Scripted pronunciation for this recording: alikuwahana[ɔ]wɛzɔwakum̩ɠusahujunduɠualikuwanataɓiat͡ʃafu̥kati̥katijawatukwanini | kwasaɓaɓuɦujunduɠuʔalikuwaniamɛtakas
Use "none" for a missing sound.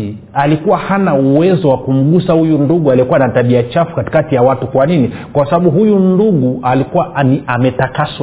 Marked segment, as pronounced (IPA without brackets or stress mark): u